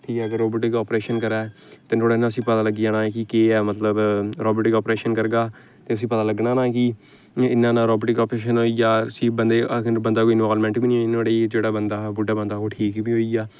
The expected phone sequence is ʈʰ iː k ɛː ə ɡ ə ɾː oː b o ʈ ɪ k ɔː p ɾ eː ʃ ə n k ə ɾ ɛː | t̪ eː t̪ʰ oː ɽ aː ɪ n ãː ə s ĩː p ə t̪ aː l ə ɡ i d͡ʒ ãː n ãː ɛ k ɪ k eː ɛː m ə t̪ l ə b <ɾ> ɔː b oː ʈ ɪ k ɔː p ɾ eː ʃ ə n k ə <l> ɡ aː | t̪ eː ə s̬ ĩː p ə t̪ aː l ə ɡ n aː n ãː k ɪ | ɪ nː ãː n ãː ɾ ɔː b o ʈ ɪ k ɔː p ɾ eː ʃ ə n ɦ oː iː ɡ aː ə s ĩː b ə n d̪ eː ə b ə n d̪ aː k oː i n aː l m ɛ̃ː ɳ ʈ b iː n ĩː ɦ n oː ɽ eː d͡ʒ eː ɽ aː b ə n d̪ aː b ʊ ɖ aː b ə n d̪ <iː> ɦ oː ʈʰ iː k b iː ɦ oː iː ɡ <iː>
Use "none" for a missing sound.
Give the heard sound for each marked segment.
ɾ, ɾ, aː, aː

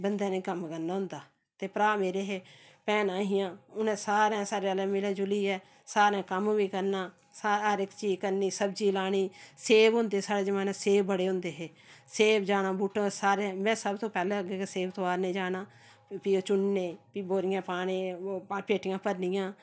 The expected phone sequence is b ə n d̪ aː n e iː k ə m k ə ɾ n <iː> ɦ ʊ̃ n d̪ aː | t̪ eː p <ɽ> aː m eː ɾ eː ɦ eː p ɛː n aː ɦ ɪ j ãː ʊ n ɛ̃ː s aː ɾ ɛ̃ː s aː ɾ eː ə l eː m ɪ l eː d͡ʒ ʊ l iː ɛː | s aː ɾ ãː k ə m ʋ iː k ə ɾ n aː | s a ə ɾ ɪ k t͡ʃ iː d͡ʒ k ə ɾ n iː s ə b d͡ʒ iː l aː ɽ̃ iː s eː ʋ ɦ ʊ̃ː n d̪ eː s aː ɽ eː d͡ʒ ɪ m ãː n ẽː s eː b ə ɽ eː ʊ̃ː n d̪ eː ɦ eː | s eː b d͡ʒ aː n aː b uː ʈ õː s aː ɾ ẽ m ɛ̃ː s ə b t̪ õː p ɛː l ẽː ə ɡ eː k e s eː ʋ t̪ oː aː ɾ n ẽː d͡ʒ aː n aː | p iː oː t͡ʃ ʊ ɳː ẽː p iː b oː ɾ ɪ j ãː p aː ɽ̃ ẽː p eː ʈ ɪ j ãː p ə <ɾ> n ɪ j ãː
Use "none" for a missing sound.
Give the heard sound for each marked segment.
aː, ɾ, ɾ

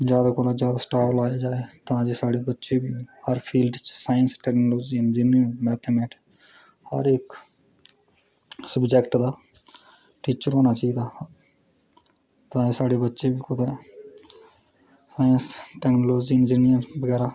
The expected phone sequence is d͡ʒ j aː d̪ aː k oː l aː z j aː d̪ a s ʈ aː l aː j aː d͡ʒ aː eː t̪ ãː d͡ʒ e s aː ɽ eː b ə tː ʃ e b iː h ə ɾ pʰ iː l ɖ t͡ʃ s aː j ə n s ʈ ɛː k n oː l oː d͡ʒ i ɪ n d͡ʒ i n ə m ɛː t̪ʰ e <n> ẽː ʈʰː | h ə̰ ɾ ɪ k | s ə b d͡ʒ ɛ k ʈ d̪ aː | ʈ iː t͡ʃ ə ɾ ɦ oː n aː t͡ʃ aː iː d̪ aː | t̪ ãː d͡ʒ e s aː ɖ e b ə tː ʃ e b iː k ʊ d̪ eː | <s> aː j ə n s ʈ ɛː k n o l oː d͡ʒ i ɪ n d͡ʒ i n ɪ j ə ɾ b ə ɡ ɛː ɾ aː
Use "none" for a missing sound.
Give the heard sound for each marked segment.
m, s

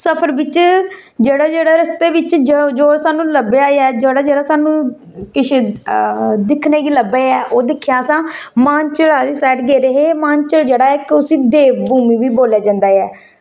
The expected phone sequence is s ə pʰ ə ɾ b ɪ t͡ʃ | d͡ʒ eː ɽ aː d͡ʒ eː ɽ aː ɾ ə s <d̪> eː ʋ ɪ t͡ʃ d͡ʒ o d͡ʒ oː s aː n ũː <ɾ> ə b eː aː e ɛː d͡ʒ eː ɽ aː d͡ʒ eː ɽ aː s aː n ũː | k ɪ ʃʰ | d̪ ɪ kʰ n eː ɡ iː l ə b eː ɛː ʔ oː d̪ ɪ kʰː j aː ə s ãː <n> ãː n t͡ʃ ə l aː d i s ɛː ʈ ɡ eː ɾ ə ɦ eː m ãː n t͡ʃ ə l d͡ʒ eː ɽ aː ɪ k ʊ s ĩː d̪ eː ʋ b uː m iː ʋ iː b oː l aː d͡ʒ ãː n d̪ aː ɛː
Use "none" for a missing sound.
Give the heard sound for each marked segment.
t̪, l, m

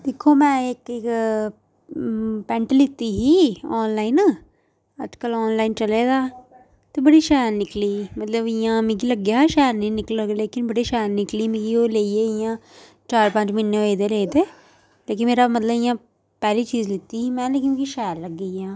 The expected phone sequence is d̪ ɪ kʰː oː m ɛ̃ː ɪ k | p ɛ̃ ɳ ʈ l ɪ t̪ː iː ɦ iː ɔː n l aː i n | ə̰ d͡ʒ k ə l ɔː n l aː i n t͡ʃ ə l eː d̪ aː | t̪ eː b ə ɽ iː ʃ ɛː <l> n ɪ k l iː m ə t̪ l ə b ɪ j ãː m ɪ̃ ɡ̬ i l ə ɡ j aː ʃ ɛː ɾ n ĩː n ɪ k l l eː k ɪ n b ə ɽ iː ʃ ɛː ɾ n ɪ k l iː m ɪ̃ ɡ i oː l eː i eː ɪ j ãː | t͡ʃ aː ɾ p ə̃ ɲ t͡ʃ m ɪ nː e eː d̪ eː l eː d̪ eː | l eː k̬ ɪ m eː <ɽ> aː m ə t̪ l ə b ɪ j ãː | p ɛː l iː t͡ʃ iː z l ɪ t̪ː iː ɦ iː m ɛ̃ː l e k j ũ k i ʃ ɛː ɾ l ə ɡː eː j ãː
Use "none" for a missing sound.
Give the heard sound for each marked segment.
ɾ, ɾ

